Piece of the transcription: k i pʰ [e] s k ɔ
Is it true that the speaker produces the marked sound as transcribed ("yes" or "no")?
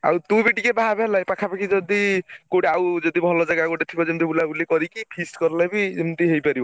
no